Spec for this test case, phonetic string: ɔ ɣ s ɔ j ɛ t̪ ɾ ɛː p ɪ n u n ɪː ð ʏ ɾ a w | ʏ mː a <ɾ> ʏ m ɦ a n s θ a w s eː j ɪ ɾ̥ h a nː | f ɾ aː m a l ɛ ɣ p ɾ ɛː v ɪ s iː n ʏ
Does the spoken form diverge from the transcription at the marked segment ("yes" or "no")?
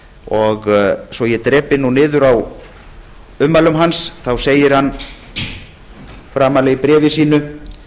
yes